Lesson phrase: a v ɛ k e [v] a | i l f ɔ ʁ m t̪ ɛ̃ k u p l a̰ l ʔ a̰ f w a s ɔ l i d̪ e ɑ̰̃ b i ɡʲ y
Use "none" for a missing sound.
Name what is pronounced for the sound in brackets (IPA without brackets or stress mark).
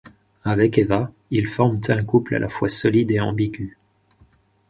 v